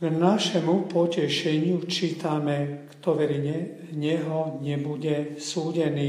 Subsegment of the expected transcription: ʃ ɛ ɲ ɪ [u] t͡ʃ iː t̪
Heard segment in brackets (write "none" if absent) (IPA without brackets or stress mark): u